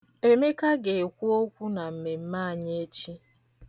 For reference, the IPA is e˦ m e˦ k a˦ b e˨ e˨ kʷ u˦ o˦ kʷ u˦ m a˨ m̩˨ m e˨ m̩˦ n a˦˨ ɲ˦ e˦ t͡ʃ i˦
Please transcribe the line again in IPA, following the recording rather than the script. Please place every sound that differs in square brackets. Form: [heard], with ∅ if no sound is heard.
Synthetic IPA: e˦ m e˦ k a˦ [ɡ] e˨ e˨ kʷ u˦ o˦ kʷ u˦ [n] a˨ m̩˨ m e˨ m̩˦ [m] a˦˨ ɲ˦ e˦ t͡ʃ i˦